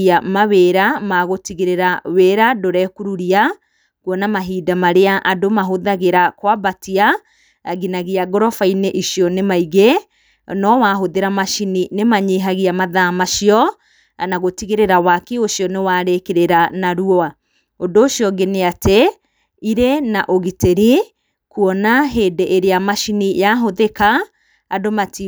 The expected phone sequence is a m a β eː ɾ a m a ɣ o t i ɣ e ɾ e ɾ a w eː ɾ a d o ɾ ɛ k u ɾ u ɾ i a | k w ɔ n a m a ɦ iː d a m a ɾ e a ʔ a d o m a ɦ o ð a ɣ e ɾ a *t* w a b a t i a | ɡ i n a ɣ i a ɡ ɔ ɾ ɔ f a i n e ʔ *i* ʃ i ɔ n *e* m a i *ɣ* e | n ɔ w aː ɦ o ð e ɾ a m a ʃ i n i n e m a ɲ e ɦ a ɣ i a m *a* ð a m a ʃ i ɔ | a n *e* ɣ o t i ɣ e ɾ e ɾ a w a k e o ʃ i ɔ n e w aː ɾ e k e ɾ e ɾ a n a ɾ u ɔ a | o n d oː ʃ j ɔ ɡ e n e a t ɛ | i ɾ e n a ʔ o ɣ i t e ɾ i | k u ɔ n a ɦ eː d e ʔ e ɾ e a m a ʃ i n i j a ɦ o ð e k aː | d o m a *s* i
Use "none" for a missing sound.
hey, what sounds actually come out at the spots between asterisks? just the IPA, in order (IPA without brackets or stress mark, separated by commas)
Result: k, i, e, ɣ, a, a, t